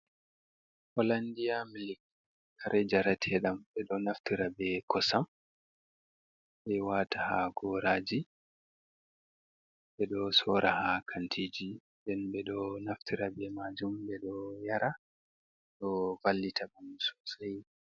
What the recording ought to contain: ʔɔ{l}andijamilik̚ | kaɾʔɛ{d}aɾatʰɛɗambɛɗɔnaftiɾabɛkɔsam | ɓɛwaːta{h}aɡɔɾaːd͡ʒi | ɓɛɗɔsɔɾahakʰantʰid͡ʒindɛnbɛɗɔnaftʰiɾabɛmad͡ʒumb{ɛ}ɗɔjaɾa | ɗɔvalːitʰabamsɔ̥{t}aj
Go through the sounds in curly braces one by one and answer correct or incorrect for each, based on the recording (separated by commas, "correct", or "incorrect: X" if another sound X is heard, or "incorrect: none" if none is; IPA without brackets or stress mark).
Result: correct, incorrect: d͡ʒ, correct, correct, incorrect: s